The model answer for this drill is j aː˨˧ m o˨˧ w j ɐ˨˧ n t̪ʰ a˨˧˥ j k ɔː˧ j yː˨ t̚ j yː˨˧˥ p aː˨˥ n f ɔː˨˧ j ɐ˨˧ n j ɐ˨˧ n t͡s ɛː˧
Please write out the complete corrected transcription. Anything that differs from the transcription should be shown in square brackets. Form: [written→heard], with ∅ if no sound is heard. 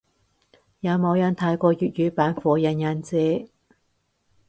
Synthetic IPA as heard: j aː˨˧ m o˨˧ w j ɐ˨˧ n t̪ʰ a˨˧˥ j k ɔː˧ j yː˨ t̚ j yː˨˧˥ p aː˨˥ n f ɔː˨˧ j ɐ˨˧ n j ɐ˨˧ n t͡s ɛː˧